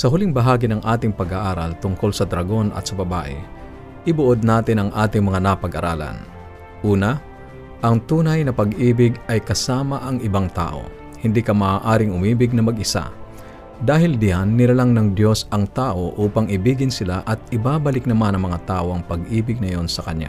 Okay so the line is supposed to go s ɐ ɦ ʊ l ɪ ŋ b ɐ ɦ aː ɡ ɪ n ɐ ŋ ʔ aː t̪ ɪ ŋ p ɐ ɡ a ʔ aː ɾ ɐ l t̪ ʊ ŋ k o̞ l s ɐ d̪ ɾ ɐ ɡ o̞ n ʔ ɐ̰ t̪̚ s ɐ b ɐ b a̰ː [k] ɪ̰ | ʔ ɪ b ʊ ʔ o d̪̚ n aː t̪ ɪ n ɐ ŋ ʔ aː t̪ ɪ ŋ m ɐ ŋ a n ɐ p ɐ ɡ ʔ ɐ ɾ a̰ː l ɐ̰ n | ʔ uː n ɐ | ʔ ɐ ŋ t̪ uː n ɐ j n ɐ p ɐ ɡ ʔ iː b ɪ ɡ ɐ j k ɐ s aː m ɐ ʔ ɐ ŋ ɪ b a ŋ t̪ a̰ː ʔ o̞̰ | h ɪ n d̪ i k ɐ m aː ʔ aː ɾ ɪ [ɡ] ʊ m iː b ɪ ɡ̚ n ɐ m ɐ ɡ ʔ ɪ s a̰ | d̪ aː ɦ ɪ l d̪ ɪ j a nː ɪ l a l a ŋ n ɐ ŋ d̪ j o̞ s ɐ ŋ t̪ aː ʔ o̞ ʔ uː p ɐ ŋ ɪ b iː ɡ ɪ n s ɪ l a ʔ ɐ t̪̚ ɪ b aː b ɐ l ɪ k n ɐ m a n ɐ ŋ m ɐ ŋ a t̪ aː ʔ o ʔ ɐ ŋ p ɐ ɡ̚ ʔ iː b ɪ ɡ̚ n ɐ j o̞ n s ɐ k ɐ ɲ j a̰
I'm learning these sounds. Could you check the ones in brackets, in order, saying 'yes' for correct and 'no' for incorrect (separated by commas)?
no, no